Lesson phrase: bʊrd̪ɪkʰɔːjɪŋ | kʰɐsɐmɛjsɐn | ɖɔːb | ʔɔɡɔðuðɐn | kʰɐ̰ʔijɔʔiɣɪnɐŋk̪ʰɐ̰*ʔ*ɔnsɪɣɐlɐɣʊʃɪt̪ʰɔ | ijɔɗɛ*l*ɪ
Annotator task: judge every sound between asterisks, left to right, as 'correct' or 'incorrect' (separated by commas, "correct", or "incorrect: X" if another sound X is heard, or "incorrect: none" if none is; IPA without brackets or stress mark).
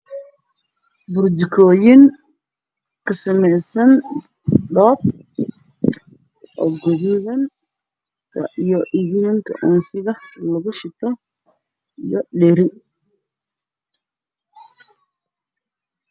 correct, incorrect: ɾ